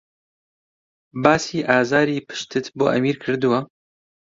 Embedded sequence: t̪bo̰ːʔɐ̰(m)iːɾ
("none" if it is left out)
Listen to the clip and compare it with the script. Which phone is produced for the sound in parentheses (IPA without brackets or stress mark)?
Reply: m